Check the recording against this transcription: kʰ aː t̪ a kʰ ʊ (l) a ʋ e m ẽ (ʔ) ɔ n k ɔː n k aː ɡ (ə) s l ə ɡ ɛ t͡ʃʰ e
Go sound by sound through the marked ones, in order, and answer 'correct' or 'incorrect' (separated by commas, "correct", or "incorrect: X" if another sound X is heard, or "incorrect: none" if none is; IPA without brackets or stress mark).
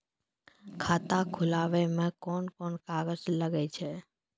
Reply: correct, incorrect: k, correct